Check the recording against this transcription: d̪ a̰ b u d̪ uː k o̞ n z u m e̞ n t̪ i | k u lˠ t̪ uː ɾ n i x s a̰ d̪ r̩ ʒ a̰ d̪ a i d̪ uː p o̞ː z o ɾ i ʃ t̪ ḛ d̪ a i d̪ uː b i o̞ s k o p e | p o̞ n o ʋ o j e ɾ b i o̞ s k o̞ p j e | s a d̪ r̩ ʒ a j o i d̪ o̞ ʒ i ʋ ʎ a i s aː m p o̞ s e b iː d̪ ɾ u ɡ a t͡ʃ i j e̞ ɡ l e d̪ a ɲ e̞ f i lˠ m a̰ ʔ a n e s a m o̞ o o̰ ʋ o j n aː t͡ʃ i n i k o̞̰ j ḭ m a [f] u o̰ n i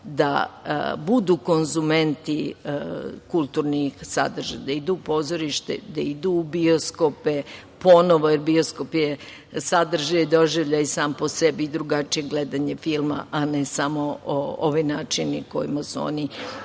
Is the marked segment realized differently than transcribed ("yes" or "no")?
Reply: yes